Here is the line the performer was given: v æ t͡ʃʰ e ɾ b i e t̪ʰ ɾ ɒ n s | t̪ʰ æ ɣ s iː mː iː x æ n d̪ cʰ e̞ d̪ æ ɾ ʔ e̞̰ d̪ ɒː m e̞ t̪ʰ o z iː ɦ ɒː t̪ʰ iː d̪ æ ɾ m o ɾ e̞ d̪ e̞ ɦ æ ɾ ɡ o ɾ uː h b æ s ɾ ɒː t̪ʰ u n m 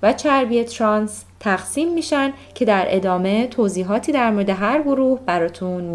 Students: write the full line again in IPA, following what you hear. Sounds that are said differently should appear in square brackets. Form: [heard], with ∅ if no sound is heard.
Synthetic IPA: v æ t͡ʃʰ [æ] ɾ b i e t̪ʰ ɾ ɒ n s | t̪ʰ æ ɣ s iː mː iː [ʃ] æ n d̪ cʰ e̞ d̪ æ ɾ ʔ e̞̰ d̪ ɒː m e̞ t̪ʰ o z iː ɦ ɒː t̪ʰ iː d̪ æ ɾ m o ɾ e̞ d̪ e̞ ɦ æ ɾ ɡ o ɾ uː h b æ [∅] ɾ ɒː t̪ʰ u n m